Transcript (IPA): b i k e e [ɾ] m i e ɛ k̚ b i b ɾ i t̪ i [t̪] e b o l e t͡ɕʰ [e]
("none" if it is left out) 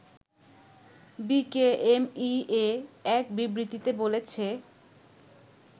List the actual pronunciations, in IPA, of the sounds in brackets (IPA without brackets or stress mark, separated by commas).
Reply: none, t̪, e